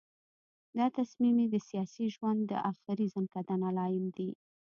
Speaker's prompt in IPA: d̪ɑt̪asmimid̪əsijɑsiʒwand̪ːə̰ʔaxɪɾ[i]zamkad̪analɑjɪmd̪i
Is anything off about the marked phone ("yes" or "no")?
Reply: no